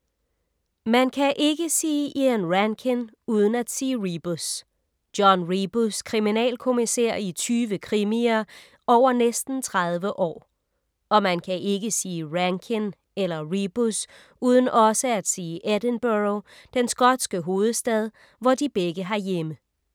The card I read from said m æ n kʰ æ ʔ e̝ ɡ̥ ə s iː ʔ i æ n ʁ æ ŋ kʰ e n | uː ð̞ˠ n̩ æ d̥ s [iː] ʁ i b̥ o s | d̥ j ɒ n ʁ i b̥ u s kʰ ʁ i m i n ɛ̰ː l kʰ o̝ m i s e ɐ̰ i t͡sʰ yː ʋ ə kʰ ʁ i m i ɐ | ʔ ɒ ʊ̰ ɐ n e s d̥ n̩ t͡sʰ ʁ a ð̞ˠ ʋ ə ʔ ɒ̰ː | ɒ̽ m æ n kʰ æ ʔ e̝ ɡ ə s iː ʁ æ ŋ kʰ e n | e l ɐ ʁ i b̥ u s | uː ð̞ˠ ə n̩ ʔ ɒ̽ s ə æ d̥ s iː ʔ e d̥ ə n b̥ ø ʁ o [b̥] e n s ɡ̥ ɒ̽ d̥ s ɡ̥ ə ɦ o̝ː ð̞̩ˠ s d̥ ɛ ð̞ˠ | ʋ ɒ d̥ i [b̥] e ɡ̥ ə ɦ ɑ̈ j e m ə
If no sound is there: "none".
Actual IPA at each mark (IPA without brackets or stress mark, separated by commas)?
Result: iː, d̥, b̥